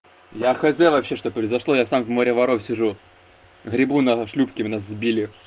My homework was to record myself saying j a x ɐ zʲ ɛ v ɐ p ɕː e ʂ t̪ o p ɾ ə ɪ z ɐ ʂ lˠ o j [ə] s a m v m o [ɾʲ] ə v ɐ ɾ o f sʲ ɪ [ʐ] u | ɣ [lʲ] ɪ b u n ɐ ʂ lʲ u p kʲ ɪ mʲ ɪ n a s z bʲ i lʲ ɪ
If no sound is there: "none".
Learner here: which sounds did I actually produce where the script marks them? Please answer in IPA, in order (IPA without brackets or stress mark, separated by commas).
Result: a, ɾʲ, ʐ, ɾʲ